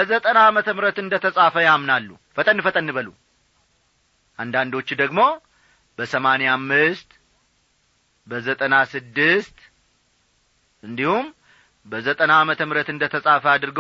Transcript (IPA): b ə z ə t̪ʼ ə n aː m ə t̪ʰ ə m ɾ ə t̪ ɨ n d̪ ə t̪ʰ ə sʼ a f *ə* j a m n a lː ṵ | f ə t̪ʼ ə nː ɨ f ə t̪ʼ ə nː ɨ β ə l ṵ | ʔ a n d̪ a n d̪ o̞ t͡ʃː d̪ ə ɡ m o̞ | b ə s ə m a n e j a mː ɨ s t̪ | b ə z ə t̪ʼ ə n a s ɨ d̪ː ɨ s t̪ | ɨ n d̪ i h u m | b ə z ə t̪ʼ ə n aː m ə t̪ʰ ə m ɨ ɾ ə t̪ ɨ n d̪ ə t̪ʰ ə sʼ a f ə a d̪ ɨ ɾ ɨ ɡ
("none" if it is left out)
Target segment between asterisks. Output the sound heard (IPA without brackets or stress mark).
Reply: ə